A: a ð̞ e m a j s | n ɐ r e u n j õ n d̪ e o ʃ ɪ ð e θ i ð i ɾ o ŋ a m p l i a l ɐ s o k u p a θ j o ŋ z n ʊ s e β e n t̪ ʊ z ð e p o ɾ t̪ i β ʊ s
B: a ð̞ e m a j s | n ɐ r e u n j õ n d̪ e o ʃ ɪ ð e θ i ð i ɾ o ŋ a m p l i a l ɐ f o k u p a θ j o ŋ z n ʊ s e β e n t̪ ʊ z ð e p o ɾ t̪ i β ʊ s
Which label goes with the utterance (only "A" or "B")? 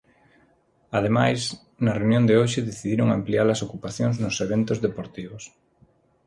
A